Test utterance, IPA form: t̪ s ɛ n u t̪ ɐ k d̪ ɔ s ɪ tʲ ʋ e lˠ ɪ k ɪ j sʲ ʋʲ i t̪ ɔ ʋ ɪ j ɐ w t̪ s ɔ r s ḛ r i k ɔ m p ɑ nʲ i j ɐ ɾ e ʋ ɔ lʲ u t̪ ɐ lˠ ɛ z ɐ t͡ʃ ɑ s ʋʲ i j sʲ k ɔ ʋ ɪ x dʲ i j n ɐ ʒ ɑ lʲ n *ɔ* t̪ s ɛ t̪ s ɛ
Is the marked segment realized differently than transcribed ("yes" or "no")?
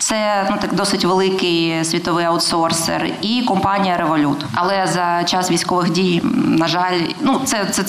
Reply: yes